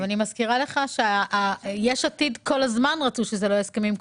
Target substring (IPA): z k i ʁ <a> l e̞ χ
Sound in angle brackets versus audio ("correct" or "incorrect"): correct